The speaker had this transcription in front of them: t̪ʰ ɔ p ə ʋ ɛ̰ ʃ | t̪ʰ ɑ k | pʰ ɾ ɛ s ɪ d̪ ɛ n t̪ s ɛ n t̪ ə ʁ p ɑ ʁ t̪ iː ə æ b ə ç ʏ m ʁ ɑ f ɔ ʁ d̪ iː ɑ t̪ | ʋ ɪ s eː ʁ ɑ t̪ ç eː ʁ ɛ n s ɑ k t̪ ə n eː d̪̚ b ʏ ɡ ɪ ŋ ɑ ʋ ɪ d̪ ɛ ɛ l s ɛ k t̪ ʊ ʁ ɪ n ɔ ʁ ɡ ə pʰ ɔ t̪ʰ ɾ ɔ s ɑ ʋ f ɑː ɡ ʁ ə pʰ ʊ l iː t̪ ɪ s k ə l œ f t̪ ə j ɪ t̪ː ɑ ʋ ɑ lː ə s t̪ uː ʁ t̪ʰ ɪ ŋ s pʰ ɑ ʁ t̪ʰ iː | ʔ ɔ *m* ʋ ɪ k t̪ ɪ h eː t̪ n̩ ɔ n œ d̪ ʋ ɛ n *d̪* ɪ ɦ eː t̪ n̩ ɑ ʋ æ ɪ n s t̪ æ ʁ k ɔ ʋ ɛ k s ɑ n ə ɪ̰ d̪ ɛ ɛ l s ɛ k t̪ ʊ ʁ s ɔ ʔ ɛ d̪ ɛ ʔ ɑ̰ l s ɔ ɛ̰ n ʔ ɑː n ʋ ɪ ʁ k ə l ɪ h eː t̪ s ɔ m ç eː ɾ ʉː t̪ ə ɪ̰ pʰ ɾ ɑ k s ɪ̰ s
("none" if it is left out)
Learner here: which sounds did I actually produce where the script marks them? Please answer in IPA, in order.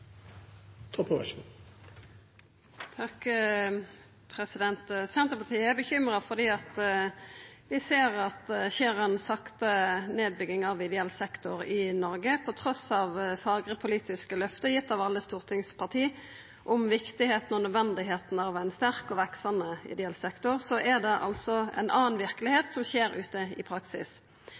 m, d̪

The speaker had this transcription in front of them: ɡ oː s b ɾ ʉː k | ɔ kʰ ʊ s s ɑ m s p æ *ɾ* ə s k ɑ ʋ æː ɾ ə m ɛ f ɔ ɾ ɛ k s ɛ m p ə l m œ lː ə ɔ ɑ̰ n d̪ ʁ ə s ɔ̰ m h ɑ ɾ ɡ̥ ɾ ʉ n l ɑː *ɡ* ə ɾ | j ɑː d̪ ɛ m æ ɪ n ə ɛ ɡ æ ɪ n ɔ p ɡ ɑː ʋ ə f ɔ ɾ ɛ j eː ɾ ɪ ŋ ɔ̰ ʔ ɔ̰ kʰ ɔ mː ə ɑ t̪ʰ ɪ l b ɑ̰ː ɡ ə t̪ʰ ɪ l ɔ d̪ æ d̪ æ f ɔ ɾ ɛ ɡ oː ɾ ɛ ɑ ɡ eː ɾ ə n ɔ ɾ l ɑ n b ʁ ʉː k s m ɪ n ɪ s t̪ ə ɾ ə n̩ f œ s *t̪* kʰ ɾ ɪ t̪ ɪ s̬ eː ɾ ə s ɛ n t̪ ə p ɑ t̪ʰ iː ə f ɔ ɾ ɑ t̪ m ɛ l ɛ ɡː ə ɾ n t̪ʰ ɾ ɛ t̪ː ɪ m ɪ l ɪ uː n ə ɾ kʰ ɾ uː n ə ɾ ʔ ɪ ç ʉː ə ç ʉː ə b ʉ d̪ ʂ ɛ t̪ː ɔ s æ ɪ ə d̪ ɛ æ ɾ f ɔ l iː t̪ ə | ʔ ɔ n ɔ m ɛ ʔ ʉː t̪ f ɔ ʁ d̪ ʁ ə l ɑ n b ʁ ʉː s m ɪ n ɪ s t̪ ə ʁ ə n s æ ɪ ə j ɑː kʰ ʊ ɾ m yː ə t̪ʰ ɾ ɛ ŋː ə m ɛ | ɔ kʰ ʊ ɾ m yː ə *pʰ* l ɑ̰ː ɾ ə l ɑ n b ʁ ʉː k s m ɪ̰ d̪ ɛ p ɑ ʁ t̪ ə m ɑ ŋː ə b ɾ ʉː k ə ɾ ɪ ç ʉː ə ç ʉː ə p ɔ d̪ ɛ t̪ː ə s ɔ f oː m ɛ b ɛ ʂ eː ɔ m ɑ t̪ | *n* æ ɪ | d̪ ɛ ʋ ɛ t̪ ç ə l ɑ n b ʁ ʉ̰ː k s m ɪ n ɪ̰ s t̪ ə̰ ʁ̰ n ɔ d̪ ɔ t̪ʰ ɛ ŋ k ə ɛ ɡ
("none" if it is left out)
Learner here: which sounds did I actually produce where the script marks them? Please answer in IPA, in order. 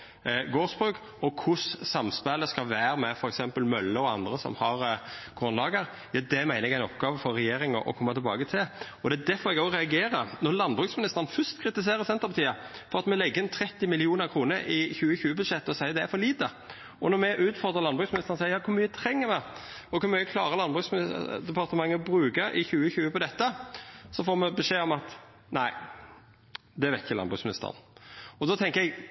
l, ɡ, t̪, kʰ, n

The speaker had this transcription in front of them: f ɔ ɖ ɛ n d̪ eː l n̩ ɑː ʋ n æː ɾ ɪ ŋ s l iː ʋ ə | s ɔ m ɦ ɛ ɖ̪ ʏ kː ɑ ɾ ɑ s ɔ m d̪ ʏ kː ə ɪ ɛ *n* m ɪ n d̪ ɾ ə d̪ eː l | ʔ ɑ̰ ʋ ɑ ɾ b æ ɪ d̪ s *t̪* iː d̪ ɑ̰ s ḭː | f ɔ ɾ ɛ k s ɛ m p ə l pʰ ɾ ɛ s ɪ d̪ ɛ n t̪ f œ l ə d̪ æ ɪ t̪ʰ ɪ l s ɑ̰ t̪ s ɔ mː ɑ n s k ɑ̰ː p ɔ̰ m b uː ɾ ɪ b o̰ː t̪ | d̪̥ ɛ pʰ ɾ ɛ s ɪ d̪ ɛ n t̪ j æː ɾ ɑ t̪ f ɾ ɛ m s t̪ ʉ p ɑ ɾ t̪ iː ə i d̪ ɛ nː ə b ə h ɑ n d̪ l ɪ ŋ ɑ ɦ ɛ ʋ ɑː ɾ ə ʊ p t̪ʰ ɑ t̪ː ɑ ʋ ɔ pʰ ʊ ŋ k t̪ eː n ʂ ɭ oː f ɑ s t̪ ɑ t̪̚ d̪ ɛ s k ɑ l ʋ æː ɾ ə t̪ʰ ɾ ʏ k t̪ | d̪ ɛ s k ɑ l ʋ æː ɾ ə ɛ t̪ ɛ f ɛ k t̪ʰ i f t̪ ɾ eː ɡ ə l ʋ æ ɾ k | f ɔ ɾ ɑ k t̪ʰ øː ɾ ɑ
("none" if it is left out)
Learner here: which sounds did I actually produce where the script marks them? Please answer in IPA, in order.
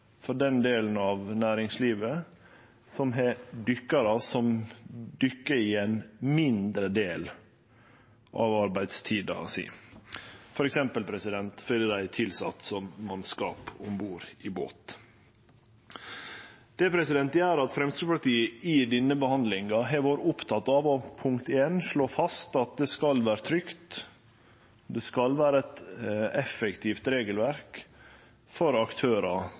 n, t̪ʰ

